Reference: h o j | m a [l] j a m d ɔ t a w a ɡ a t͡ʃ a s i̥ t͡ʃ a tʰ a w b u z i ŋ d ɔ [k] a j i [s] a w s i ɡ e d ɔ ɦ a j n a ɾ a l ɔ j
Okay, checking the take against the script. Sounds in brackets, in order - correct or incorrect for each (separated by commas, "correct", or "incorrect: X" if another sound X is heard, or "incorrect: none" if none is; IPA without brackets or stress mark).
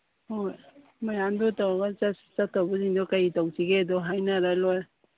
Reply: incorrect: none, correct, incorrect: t